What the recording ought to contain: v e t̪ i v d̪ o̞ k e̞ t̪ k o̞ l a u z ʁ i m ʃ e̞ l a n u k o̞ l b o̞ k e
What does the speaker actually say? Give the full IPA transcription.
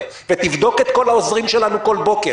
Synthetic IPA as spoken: v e t̪ i v d̪ o̞ k e̞ t̪ k o̞ l a o z ʁ i m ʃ e̞ l a n u k o̞ l b o̞ k e